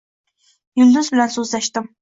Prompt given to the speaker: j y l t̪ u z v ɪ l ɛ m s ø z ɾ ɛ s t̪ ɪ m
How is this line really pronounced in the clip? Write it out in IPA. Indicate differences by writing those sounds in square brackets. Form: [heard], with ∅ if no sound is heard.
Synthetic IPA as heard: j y l [d̪] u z [b] ɪ l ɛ [n] s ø z [l] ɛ [ʃ] t̪ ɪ m

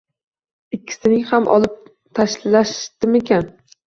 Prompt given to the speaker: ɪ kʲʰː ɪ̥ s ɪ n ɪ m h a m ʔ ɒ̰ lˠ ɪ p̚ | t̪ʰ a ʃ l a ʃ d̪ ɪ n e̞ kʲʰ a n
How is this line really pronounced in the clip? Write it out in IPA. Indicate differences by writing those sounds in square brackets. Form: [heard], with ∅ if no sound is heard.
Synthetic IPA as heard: ɪ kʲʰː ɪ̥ s ɪ n ɪ [ŋ] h a m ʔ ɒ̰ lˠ ɪ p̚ | t̪ʰ a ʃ l a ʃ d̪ ɪ [m] e̞ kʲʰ a n

